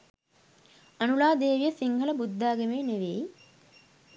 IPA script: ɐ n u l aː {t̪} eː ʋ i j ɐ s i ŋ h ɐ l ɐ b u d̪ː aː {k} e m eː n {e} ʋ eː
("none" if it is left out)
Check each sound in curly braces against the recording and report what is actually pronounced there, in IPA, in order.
d̪, ɡ, e

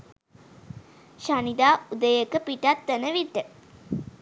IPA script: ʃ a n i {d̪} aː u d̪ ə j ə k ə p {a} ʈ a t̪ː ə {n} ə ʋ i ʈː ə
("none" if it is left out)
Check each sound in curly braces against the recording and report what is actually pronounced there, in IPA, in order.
d̪, i, n

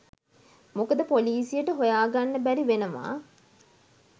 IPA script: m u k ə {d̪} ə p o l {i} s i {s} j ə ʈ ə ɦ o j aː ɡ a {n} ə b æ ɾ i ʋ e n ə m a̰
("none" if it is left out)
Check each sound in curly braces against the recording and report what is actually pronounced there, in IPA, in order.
d̪, iː, none, nː

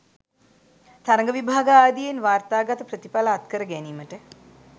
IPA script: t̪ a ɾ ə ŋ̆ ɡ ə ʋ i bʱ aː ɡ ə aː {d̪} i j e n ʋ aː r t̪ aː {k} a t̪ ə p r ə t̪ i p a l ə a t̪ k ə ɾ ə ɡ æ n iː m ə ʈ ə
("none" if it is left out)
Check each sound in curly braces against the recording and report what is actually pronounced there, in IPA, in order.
d̪, ɡ

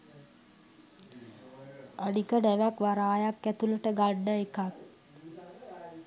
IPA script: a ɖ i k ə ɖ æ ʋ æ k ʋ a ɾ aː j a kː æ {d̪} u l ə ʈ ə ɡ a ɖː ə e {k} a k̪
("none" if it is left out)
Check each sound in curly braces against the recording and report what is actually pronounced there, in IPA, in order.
t̪, k

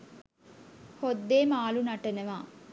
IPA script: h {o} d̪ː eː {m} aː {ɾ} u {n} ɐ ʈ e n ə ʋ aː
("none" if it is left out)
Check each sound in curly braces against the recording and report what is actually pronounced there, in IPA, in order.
o, m, l, n

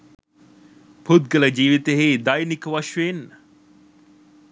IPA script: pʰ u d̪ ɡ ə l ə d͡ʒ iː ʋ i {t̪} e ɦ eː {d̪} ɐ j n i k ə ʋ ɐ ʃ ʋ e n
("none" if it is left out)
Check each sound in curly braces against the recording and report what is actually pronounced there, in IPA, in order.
t̪, d̪

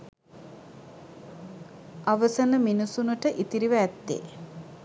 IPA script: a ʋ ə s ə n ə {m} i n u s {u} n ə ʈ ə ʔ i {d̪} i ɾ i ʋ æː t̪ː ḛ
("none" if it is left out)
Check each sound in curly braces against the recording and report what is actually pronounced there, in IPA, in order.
m, u, t̪

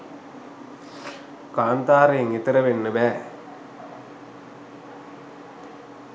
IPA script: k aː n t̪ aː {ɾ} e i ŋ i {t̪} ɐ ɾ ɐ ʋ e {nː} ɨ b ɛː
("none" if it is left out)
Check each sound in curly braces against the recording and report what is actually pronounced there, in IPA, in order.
ɾ, t̪, nː

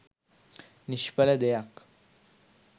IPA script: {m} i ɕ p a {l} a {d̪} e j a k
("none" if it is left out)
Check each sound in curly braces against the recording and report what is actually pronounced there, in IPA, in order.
n, l, d̪

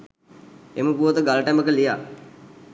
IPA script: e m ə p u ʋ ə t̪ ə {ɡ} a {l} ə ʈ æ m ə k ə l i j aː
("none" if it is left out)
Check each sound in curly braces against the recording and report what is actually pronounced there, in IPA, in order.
ɡ, l

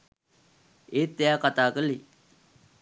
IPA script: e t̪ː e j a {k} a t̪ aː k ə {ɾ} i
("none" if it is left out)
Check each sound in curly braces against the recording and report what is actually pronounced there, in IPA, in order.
k, l

